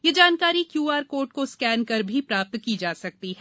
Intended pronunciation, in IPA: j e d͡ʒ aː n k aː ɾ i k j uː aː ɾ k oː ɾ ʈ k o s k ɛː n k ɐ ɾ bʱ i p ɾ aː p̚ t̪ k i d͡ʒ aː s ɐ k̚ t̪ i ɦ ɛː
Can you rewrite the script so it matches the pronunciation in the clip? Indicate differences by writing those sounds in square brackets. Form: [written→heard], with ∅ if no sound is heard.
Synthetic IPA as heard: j e d͡ʒ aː n k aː ɾ i k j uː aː ɾ k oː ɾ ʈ k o s k ɛː n k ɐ ɾ bʱ i p ɾ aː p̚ t̪ k i d͡ʒ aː s ɐ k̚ t̪ i ɦ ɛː